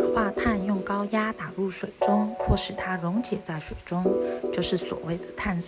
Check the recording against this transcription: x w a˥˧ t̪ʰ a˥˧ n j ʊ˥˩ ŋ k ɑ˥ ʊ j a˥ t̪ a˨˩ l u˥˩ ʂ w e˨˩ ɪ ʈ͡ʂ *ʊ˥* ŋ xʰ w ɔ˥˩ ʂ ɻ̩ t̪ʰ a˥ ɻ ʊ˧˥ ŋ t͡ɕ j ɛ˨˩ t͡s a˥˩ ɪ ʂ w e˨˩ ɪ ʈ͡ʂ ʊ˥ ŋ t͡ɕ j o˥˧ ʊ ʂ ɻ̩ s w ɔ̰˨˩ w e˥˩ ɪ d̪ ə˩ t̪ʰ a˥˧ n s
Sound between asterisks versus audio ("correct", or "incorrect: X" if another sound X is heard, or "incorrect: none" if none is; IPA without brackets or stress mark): correct